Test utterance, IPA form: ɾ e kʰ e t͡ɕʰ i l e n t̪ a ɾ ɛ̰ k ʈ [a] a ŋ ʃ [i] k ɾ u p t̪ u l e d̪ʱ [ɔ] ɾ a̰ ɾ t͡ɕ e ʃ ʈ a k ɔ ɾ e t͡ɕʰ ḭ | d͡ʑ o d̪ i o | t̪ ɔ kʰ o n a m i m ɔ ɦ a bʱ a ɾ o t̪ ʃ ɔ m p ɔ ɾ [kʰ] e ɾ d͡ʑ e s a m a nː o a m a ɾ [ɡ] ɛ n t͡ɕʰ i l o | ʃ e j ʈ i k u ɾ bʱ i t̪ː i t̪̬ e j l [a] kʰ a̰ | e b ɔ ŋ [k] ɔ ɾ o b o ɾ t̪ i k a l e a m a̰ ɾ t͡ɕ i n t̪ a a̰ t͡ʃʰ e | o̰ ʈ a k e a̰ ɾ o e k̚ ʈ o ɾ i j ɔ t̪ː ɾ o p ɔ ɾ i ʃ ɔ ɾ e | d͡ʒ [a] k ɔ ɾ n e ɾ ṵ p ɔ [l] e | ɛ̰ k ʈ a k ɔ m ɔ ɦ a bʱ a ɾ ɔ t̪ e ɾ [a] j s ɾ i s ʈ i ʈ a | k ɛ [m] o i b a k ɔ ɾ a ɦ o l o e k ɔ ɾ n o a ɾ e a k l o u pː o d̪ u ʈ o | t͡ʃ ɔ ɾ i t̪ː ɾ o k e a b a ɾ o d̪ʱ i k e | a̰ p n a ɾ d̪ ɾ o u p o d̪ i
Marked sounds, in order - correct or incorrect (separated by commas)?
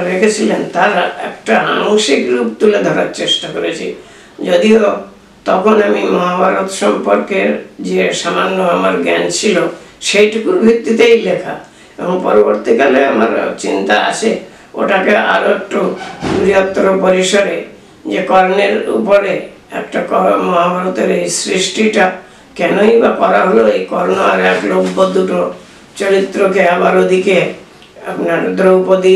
correct, correct, correct, incorrect, correct, incorrect, incorrect, incorrect, incorrect, incorrect, incorrect